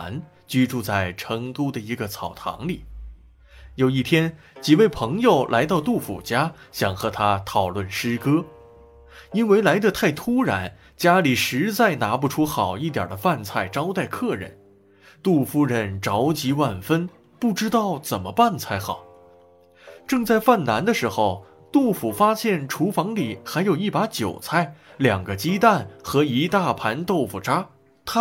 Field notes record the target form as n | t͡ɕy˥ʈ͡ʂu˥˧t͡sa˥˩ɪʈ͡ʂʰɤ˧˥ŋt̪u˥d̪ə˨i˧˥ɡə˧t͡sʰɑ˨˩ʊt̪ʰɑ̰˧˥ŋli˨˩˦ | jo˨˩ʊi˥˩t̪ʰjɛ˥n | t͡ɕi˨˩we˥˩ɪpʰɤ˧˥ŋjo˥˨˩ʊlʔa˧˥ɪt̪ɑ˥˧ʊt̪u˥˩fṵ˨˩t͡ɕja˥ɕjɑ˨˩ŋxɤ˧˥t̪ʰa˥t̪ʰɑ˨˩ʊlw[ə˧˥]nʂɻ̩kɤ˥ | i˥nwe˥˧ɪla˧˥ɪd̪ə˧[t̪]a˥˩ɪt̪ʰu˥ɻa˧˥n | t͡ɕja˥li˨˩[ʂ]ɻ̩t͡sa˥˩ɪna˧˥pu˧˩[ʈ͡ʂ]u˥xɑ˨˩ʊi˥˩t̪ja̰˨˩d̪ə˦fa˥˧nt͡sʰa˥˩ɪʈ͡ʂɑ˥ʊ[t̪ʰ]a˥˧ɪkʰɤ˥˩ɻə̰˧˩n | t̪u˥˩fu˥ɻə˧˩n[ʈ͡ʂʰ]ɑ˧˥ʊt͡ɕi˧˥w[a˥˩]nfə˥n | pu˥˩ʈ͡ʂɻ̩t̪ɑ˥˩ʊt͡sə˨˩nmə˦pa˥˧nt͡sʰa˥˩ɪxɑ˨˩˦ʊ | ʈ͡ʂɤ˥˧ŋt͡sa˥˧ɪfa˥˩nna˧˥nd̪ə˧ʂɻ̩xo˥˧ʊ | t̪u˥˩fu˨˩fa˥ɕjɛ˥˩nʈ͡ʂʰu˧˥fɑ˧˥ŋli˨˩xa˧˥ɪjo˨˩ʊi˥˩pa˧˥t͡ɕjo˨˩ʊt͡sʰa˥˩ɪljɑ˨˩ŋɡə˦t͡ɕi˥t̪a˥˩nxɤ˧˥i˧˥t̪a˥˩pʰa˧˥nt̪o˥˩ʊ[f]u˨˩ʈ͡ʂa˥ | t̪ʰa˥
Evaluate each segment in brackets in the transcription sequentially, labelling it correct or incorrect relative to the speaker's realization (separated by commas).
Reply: incorrect, incorrect, correct, incorrect, incorrect, incorrect, correct, correct